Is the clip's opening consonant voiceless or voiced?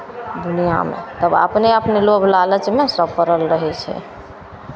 voiced